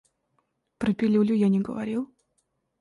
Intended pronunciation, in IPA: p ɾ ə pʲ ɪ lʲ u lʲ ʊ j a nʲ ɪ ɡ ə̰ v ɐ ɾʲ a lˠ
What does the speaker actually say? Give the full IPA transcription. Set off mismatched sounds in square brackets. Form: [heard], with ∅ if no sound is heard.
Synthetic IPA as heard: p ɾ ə pʲ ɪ lʲ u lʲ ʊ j a nʲ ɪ ɡ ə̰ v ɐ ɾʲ [i] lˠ